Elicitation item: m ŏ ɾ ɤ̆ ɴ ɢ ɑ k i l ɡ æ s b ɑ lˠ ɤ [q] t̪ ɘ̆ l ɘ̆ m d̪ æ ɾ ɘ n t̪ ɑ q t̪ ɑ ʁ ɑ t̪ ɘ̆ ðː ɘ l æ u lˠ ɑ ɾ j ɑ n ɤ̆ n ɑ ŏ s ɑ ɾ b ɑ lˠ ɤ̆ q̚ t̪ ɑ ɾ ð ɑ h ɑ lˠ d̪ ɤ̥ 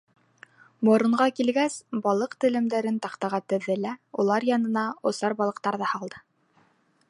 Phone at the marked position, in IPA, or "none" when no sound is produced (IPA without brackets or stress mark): q